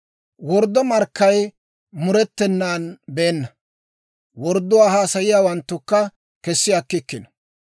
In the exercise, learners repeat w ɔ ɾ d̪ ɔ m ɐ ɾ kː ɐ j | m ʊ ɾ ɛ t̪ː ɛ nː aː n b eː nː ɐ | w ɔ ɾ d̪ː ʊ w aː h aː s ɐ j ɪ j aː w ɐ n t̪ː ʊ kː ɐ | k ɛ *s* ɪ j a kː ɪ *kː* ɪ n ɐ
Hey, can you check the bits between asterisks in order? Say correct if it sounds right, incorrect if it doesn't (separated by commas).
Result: incorrect, correct